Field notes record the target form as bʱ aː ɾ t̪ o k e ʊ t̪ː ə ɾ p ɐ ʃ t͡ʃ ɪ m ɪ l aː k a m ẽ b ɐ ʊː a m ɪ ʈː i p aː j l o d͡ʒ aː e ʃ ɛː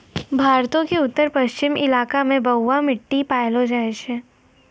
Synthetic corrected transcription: bʱ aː ɾ t̪ õ k e ʊ t̪ː ə ɾ p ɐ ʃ t͡ʃ ɪ m ɪ l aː k a m ẽ b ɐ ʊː a m ɪ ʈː i p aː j l o d͡ʒ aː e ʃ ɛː